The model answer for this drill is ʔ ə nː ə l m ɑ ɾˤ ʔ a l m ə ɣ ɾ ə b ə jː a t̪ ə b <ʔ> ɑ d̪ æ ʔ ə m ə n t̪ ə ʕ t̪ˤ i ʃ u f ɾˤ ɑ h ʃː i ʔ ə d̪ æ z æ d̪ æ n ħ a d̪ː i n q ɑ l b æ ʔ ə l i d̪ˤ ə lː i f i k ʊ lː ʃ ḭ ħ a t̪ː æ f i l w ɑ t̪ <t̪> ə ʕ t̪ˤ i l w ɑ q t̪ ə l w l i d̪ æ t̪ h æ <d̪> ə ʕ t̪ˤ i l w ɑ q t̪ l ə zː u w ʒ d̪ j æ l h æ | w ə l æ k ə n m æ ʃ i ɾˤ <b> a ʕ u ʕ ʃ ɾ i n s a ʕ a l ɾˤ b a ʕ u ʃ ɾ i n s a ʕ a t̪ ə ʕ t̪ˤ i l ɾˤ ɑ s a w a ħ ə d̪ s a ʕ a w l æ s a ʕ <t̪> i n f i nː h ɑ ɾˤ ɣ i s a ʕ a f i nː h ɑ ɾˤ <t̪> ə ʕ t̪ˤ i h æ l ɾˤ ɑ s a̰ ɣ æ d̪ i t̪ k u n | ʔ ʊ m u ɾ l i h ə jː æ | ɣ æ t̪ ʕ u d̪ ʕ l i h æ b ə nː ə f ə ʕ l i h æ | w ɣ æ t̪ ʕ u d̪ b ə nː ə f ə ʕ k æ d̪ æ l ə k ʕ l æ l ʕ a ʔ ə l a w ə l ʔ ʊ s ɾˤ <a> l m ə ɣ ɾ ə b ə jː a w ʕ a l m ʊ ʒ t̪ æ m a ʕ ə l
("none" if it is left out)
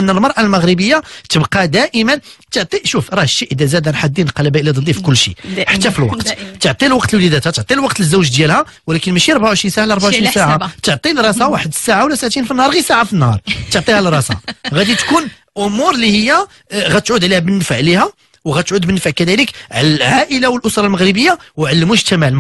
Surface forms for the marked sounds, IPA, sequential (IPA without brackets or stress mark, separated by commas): q, t̪, t̪, b, t̪, t̪, ɑ